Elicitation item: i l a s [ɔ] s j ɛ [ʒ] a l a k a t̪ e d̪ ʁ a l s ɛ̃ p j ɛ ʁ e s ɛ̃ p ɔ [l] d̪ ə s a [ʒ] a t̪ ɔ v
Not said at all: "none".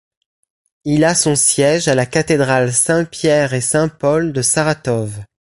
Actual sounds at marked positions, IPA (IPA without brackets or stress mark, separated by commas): ɔ̃, ʒ, l, ʁ